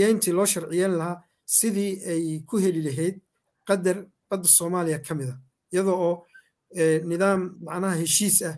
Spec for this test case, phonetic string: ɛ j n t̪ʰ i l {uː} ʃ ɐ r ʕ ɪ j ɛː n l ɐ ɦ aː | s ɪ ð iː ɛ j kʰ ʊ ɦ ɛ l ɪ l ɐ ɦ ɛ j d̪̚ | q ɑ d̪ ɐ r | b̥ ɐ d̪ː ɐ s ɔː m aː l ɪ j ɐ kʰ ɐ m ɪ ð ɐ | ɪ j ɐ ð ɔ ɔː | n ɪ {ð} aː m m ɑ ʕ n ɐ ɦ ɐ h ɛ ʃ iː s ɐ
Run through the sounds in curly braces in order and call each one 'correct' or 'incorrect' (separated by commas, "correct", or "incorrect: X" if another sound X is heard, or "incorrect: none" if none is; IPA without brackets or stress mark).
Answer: incorrect: ɔː, correct